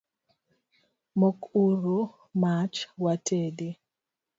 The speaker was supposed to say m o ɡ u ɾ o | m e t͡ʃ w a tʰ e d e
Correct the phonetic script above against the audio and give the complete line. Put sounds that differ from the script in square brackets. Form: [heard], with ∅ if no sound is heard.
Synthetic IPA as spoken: m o [k] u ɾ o | m [a] t͡ʃ w a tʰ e d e